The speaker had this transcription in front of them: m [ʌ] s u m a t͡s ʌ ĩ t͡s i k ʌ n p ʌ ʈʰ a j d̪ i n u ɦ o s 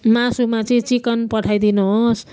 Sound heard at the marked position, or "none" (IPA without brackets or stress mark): a